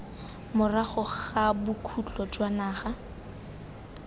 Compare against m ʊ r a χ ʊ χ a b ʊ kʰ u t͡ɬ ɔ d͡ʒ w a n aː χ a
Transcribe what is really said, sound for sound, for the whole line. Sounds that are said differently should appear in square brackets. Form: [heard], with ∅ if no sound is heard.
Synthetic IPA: m ʊ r a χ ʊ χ a b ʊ kʰ u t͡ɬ ɔ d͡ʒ w a n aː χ a